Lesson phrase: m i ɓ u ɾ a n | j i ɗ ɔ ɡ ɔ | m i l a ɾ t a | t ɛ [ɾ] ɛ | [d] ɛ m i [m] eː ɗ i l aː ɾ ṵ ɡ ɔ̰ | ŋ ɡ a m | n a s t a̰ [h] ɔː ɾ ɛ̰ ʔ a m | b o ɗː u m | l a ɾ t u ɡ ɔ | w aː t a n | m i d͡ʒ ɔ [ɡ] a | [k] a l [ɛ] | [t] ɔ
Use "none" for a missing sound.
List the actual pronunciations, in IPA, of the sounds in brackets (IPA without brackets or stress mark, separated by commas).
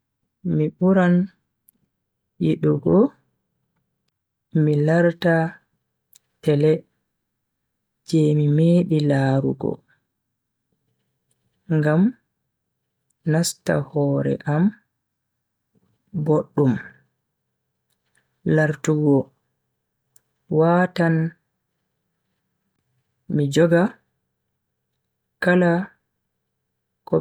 l, d͡ʒ, m, h, ɡ, k, a, k